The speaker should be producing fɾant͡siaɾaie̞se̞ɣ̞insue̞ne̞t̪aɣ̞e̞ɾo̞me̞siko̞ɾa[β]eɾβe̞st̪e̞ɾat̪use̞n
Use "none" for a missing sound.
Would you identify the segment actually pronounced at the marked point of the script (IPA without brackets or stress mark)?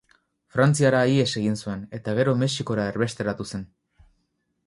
none